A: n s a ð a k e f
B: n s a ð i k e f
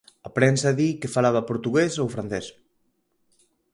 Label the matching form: B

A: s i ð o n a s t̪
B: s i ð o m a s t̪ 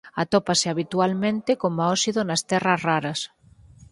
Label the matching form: A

